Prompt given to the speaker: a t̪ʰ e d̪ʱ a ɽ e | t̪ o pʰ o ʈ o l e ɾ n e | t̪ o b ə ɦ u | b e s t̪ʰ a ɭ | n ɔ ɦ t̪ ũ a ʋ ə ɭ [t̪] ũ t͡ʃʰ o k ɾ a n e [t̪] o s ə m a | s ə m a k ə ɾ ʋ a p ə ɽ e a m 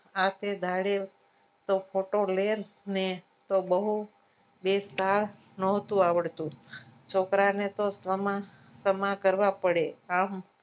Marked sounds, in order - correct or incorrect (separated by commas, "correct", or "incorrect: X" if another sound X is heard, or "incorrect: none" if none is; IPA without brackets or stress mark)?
correct, correct